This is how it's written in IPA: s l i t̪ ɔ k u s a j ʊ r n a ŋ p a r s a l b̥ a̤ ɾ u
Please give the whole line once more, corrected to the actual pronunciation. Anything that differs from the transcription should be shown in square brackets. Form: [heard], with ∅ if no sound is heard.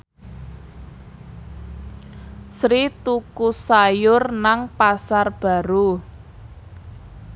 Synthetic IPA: s [ɾ] i t̪ [u] k u s a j ʊ r n a ŋ p a [∅] s a [r] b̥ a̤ ɾ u